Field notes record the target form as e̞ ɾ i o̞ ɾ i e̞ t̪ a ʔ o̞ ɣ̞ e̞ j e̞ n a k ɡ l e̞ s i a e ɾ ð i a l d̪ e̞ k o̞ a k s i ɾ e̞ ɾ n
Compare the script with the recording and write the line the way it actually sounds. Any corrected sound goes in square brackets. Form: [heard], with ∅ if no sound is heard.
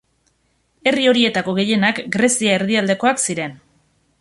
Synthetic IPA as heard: e̞ [r] i o̞ ɾ i e̞ t̪ a [k] o̞ ɣ̞ e̞ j e̞ n a k ɡ [ɾ] e̞ s i a e ɾ ð i a l d̪ e̞ k o̞ a k s i ɾ e̞ [∅] n